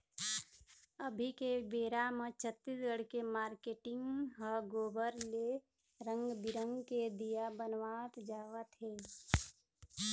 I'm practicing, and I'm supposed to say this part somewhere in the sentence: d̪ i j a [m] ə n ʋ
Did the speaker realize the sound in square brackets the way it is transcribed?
no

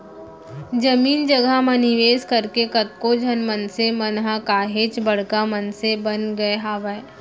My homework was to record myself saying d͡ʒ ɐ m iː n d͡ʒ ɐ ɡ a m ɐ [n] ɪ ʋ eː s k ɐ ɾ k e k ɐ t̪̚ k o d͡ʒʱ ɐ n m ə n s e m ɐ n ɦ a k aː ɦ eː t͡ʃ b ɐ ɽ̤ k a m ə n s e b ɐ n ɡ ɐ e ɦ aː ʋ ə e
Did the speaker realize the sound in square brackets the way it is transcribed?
yes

